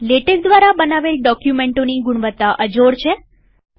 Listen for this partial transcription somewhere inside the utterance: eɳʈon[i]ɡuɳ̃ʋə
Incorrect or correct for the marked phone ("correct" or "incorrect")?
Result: correct